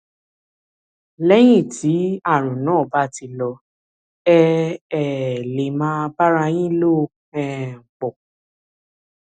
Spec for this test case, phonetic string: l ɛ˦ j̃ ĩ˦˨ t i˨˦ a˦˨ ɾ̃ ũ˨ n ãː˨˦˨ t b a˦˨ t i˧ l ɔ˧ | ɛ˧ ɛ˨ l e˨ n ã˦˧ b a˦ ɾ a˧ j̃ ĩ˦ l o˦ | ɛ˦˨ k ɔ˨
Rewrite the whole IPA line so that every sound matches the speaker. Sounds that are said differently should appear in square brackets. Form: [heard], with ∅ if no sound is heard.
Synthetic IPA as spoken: l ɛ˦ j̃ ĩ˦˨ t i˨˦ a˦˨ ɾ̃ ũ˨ n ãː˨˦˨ [∅] b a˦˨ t i˧ l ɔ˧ | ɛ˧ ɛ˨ l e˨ [m] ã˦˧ b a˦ ɾ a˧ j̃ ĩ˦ l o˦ | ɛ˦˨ [k͡p] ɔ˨